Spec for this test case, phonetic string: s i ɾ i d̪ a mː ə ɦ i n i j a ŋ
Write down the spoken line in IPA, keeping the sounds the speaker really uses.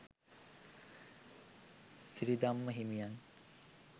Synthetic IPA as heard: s i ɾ i d̪ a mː ə ɦ i m i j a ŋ